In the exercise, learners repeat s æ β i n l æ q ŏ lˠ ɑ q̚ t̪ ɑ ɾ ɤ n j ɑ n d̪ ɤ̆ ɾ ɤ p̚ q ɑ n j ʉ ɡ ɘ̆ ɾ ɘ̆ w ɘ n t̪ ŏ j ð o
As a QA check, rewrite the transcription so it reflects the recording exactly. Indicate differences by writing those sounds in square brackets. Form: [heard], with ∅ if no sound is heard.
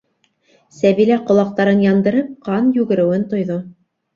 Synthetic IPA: s æ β i [∅] l æ q ŏ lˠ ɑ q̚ t̪ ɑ ɾ ɤ n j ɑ n d̪ ɤ̆ ɾ ɤ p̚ q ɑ n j ʉ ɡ ɘ̆ ɾ ɘ̆ w ɘ n t̪ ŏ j ð o